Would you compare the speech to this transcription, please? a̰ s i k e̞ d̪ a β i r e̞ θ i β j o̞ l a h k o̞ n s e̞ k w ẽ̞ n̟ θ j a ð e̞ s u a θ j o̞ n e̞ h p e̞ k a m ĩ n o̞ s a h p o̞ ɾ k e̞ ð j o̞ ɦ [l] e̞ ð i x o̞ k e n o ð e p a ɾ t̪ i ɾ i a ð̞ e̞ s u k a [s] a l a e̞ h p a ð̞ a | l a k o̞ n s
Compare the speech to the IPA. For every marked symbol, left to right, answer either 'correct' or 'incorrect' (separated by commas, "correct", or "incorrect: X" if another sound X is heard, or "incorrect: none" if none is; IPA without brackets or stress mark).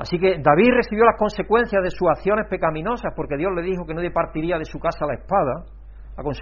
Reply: correct, correct